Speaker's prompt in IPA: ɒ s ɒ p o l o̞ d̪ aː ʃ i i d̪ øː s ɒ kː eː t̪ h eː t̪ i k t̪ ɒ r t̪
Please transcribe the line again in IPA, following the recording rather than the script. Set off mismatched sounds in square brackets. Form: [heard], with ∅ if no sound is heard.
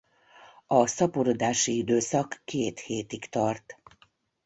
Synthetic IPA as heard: ɒ s ɒ p o [ɾ] o̞ d̪ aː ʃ i i d̪ øː s ɒ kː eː t̪ h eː t̪ i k t̪ ɒ r t̪